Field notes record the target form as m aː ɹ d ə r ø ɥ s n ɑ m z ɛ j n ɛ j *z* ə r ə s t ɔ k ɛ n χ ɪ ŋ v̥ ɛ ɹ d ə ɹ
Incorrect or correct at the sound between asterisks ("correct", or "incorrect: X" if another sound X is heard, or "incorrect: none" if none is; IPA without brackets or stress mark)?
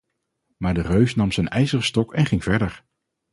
correct